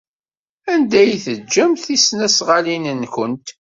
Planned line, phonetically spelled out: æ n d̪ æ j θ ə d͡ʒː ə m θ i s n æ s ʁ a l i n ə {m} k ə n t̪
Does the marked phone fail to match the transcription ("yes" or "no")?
yes